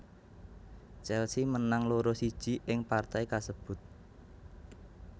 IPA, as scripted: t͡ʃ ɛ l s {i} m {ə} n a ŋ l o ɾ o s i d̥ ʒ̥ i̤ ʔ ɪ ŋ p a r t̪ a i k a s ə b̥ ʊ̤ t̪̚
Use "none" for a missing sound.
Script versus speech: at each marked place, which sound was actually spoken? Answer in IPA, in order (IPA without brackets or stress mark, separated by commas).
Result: i, ə